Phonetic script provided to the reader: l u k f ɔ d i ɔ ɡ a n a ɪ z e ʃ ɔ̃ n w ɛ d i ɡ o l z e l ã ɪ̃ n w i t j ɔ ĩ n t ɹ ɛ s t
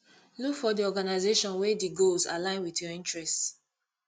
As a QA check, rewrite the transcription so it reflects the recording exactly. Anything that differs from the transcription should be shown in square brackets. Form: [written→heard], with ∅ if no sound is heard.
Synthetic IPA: l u k f ɔ d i ɔ ɡ a n a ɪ z e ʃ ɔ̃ n w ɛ d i ɡ o l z [e→a] l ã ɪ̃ n w i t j ɔ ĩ n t ɹ ɛ s t

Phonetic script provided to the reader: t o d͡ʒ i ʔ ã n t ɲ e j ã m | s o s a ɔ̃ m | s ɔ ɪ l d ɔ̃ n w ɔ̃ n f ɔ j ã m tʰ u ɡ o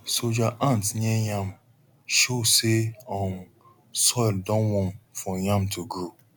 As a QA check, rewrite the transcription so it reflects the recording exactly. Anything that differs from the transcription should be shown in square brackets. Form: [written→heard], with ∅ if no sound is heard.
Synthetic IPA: [t→s] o d͡ʒ [i→a] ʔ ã n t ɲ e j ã m | [s→ʃ] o s [a→e] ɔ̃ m | s ɔ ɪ l d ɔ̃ n w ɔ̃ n f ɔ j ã m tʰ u ɡ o

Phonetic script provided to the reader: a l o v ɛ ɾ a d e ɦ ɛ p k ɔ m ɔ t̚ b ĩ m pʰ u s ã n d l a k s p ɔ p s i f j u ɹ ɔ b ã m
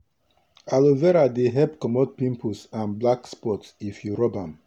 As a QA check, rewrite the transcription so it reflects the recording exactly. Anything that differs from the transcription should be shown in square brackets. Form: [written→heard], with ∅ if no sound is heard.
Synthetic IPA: a l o v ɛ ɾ a d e ɦ ɛ p k ɔ m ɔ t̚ [b→p] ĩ m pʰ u s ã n [d→b] l a k s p ɔ [p→t] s i f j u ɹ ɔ b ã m

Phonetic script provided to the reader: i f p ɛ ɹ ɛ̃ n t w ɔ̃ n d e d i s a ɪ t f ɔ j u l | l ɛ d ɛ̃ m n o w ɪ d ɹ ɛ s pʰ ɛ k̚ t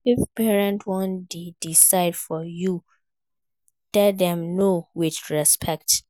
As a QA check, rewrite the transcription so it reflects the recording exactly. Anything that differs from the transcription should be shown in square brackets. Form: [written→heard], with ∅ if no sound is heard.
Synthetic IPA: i f p ɛ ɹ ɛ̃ n t w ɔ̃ n d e d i s a ɪ [t→d] f ɔ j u [l→∅] | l ɛ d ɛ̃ m n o w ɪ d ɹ ɛ s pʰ ɛ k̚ t

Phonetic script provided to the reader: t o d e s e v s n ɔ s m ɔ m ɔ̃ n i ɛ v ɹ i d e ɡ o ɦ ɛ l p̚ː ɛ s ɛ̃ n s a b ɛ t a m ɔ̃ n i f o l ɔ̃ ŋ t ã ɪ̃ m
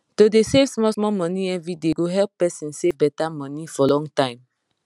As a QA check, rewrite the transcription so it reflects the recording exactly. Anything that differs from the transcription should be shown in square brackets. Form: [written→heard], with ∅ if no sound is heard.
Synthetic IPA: t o d e s e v s [n→m] ɔ s m ɔ m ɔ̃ n i ɛ v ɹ i d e ɡ o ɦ ɛ l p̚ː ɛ s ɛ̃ n s [a→e] b ɛ t a m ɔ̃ n i f [o→ɔ] l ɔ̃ ŋ t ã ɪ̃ m

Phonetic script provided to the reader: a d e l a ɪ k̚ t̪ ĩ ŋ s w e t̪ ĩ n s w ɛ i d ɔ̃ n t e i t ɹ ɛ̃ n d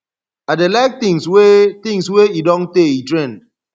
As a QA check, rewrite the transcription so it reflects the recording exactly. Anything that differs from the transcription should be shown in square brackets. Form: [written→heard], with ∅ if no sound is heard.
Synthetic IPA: a d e l a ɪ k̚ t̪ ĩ ŋ s w e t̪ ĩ [n→ŋ] s w [ɛ→e] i d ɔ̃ n t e i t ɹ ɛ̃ n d

